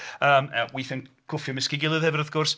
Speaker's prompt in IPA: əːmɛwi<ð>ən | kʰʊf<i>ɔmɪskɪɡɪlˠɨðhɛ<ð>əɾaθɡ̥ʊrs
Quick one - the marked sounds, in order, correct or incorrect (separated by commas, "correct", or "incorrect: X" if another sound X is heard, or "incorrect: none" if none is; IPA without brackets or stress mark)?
incorrect: θ, incorrect: j, incorrect: v